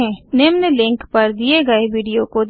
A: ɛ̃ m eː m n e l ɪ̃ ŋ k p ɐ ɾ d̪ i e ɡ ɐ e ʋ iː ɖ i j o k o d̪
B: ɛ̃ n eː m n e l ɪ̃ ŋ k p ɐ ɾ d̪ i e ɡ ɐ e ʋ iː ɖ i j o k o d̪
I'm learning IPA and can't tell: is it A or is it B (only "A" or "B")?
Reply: B